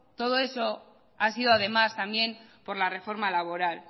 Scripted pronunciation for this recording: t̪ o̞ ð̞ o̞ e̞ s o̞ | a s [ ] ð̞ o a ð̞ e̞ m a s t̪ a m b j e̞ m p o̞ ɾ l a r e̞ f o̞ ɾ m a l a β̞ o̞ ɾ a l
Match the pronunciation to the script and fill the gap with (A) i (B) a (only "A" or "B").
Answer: A